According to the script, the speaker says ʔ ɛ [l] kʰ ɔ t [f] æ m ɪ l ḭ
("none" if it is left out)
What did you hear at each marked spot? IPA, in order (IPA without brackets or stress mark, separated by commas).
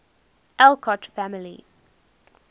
l, f